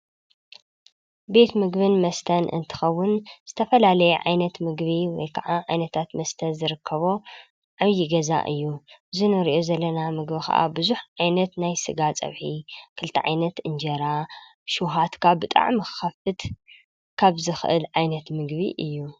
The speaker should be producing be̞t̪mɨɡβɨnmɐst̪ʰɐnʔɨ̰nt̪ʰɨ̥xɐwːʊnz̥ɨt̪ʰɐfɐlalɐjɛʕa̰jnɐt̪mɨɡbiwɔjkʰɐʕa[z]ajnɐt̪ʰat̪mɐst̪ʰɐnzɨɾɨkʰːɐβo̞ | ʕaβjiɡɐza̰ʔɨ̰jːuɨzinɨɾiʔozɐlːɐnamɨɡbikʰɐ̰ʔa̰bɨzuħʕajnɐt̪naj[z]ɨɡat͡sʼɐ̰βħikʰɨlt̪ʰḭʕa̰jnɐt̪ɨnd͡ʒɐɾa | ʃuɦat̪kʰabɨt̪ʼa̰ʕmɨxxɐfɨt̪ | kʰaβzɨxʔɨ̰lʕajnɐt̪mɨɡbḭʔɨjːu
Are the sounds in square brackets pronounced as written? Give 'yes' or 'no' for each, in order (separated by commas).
no, no